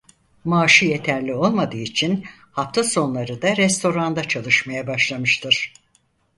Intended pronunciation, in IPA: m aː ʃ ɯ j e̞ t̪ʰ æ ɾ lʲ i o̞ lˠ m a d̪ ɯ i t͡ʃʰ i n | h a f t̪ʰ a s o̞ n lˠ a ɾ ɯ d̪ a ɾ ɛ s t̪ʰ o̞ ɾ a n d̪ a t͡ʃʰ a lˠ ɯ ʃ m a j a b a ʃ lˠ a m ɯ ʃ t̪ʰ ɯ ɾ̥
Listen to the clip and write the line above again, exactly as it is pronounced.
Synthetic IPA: m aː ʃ ɯ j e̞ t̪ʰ æ ɾ lʲ i o̞ lˠ m a d̪ ɯː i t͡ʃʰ i n | h a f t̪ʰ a s o̞ n lˠ a ɾ ɯ d̪ a ɾ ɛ s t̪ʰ o̞ ɾ a n d̪ a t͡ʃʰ a lˠ ɯ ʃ m a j a b a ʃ lˠ a m ɯ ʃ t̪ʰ ɯ ɾ̥